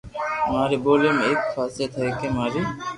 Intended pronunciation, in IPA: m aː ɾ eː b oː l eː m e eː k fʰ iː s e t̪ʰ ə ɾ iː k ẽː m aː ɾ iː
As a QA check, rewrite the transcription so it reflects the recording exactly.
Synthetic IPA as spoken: m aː ɾ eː b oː l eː m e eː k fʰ aː s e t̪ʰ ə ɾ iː k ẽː m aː ɾ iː